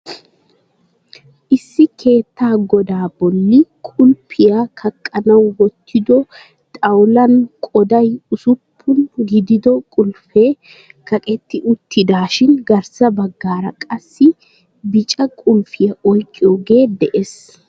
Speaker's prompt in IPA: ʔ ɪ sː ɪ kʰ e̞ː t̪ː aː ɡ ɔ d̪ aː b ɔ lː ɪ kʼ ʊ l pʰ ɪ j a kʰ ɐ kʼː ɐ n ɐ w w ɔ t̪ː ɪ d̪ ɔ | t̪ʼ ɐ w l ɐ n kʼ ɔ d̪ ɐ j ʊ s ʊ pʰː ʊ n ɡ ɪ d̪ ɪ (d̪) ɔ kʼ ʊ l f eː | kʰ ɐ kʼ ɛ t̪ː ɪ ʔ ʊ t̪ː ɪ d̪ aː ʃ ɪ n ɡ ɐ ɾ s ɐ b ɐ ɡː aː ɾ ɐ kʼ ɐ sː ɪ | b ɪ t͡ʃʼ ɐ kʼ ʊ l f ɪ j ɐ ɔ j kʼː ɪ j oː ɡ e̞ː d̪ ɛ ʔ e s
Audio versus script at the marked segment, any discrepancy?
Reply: no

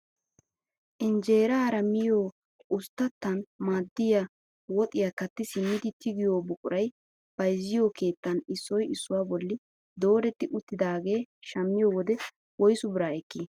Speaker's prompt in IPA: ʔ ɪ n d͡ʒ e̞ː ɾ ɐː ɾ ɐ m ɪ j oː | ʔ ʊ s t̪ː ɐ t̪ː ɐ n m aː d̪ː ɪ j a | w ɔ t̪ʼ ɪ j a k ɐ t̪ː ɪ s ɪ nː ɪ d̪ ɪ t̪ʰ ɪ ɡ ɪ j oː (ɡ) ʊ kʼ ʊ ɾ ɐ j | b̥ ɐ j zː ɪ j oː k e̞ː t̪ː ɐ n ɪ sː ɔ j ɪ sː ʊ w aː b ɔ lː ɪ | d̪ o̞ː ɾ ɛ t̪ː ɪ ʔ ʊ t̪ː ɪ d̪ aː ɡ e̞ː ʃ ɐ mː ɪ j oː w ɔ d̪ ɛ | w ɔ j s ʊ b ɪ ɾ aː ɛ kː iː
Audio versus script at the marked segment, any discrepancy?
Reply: yes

